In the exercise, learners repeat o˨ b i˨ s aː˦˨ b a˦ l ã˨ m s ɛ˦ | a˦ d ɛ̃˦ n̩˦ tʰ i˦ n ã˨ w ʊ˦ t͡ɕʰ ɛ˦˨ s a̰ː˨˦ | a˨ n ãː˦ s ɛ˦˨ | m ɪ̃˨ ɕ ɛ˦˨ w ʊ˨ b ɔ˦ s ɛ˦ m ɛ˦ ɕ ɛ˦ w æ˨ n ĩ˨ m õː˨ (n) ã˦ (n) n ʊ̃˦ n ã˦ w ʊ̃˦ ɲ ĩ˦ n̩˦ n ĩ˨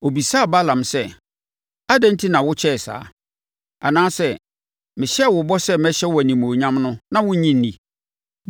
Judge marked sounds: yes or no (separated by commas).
no, no